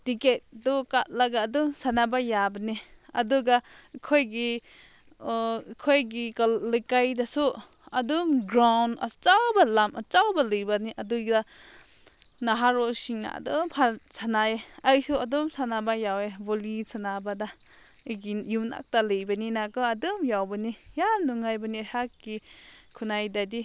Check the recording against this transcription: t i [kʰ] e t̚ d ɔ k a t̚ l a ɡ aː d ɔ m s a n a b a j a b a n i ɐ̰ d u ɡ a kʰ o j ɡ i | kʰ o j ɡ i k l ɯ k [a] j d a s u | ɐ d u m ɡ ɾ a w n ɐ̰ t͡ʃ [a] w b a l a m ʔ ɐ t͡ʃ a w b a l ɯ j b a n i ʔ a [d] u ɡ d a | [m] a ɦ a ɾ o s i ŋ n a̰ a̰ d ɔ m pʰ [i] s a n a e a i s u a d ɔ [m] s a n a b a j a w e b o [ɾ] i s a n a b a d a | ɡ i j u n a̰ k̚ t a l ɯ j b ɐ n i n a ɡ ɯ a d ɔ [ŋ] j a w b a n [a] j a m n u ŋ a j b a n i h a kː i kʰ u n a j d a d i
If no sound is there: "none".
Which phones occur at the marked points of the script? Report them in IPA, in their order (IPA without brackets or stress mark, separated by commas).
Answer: k, a, a, d, n, a, m, l, m, i